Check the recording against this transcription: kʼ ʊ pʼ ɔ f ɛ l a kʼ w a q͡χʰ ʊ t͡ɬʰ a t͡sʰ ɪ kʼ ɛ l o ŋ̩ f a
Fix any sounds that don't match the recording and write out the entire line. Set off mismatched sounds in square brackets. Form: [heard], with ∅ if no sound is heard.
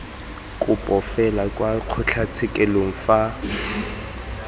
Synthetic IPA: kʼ ʊ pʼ ɔ f ɛ l a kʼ w a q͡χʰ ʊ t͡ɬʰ a t͡sʰ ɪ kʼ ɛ l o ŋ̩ f a